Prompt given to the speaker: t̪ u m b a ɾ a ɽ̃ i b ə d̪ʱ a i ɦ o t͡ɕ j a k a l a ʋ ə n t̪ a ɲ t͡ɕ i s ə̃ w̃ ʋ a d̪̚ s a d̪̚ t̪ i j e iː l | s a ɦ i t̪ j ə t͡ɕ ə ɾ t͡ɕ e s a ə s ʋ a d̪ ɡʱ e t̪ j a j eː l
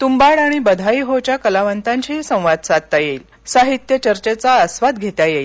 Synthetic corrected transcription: t̪ u m b a ɽ a ɽ̃ i b ə d̪ʱ a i ɦ o t͡ɕ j a k ə l a ʋ ə n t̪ a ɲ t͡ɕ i s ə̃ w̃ ʋ a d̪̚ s a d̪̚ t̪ a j e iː l | s a ɦ i t̪ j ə t͡ɕ ə ɾ t͡ɕ e t͡s a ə s ʋ a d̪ ɡʱ e t̪ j a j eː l